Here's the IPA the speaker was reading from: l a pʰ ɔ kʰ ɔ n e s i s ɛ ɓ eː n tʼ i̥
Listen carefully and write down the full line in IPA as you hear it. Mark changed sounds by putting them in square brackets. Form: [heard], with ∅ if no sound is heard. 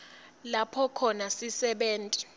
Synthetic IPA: l a pʰ ɔ kʰ ɔ n [a] s i s ɛ ɓ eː n tʼ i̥